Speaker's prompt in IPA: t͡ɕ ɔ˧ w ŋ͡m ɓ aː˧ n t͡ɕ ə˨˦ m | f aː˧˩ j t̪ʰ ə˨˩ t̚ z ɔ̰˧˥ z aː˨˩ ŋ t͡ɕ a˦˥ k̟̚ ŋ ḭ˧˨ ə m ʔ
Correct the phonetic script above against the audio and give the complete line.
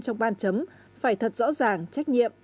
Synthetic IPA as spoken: t͡ɕ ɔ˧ w ŋ͡m ɓ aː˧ n t͡ɕ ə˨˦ m | f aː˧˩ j t̪ʰ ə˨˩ t̚ z ɔ̰˧˥ z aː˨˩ ŋ t͡ɕ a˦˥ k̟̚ ɲ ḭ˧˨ ə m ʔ